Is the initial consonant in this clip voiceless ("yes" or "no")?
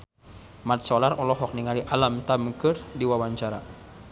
no